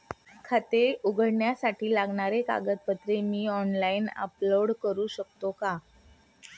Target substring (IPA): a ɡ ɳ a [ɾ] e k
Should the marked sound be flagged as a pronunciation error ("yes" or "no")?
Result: no